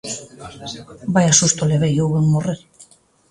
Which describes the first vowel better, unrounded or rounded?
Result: unrounded